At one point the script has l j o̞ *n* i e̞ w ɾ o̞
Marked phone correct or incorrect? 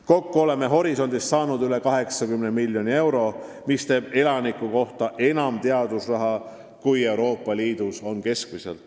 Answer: correct